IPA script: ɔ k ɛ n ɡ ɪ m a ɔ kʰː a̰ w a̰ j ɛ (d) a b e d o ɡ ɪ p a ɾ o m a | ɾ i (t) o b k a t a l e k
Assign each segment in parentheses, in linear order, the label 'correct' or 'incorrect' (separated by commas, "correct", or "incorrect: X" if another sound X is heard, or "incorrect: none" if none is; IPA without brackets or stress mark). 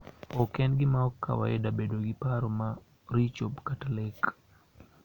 correct, incorrect: t͡ʃ